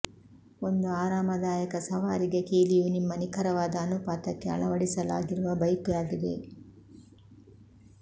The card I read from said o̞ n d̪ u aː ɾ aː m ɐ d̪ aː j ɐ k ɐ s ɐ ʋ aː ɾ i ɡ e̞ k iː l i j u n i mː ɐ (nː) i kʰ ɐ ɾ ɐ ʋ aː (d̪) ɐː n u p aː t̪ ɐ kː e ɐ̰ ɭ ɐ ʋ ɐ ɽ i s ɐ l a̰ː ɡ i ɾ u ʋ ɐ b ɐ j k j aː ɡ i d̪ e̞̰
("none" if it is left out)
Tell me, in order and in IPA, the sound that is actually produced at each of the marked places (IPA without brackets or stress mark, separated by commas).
n, d̪